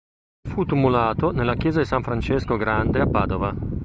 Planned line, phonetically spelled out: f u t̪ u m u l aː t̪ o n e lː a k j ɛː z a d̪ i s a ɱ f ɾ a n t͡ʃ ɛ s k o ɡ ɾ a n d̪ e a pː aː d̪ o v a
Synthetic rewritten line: f u t̪ u m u l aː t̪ o n e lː a k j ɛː z a d̪ i s a ɱ f ɾ a n t͡ʃ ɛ s k o ɡ ɾ a n d̪ e a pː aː d̪ o v a